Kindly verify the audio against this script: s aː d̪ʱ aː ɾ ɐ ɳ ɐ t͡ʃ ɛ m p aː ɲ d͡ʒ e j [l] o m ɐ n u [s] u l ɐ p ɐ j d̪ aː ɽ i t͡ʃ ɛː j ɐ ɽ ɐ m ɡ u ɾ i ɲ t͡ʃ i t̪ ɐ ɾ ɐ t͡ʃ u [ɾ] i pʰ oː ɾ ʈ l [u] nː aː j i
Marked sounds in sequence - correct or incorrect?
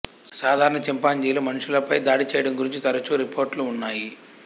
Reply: correct, incorrect: ʂ, correct, incorrect: uː

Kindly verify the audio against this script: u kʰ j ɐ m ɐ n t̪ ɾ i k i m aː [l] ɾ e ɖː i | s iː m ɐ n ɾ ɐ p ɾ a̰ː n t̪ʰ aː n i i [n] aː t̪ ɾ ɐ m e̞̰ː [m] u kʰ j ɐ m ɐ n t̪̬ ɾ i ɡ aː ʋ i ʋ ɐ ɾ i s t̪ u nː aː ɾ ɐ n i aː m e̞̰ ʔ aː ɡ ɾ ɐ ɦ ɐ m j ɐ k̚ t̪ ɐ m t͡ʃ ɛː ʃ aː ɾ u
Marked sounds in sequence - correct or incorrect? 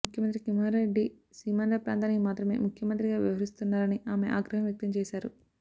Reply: incorrect: ɾ, incorrect: m, correct

